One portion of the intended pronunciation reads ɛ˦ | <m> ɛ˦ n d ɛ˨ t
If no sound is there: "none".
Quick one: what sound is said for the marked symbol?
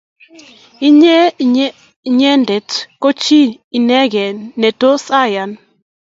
ɲ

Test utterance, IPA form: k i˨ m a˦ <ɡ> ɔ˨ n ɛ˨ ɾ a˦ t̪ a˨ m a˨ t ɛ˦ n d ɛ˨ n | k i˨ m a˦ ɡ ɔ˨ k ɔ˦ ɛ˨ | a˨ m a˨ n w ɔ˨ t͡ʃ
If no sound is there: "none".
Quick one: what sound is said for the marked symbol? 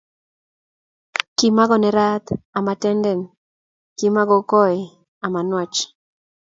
ɡ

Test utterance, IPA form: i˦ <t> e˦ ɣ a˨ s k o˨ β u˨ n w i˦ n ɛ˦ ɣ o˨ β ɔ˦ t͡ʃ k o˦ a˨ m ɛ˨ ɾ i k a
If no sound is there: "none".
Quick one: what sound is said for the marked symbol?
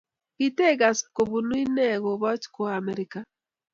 t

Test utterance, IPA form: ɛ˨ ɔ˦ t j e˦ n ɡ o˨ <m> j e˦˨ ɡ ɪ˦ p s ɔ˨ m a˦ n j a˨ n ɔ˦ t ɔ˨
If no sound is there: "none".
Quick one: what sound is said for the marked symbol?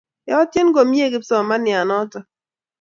m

